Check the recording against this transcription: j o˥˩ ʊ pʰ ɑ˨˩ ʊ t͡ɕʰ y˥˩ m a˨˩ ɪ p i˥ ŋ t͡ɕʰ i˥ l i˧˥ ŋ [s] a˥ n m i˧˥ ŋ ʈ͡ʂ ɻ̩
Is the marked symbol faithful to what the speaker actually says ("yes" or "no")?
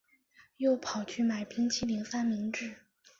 no